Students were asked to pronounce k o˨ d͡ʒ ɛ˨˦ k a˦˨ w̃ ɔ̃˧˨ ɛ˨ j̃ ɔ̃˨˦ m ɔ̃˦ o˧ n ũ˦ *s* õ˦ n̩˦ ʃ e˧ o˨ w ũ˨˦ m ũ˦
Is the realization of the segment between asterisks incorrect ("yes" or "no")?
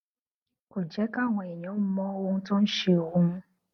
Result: yes